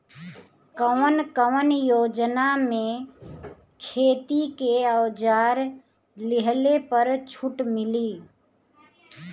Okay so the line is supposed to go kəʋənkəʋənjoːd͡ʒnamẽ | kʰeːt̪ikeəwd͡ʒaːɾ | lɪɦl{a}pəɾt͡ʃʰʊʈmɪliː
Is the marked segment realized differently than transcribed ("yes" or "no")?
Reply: yes